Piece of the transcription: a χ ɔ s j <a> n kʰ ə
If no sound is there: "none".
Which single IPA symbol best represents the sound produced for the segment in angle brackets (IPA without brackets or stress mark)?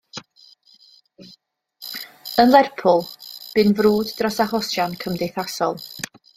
a